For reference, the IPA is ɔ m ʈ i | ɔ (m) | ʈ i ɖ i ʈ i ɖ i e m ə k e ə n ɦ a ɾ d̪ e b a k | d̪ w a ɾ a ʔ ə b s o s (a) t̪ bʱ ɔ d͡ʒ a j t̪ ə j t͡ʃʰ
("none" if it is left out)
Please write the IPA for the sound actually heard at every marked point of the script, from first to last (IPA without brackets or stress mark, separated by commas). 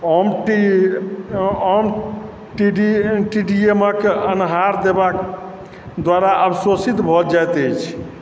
m, i